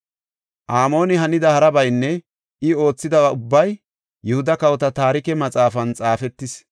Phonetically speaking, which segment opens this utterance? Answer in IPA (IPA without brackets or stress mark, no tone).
ʔ